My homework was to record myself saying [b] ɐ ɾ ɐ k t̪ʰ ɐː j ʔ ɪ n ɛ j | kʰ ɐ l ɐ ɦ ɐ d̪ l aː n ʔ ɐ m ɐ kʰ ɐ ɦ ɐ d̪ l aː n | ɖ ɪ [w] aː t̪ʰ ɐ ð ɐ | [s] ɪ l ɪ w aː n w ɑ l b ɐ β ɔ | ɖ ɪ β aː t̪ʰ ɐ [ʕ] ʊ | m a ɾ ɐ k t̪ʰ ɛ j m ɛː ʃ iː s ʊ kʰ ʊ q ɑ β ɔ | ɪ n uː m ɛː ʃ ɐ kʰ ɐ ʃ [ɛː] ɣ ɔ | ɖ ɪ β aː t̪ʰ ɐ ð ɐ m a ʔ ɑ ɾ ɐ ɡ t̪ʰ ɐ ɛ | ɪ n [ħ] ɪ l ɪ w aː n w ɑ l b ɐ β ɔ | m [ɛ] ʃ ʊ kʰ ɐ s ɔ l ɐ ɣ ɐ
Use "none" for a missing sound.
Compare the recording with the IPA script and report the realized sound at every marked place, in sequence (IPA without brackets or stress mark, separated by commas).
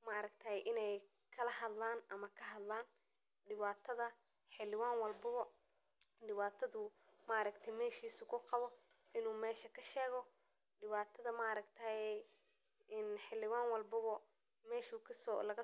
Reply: m, β, ħ, ð, ɛː, ħ, ɛː